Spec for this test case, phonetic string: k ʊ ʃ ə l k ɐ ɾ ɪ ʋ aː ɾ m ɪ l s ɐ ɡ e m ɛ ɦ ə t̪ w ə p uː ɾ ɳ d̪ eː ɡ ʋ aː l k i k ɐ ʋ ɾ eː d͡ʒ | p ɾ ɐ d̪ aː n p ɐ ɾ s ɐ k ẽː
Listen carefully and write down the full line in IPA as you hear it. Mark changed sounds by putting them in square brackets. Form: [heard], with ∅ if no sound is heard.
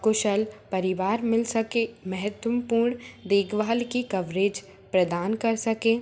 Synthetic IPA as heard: k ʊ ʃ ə l [p] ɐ ɾ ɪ ʋ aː ɾ m ɪ l s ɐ [k] e m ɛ ɦ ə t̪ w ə p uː ɾ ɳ d̪ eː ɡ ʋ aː l k i k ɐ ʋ ɾ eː d͡ʒ | p ɾ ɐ d̪ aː n [k] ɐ ɾ s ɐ k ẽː